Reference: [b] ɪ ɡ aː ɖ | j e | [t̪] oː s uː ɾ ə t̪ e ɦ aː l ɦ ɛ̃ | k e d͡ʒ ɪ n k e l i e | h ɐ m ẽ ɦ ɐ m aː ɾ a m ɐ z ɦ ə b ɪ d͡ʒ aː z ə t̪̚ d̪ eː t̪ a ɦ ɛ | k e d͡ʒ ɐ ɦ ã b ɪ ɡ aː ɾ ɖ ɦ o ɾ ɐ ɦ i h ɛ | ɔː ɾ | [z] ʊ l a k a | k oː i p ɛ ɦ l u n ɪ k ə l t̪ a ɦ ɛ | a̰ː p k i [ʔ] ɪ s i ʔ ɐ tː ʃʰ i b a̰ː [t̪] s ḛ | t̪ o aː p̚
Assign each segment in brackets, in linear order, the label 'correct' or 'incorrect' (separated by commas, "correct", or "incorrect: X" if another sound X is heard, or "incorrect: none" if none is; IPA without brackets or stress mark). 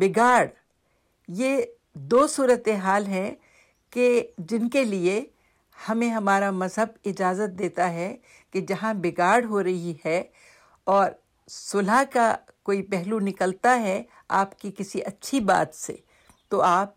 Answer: correct, incorrect: d̪, incorrect: s, incorrect: k, correct